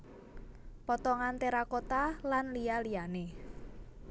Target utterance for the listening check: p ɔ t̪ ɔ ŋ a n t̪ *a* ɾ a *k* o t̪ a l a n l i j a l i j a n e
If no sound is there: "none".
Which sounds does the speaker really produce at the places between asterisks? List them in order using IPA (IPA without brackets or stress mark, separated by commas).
e, k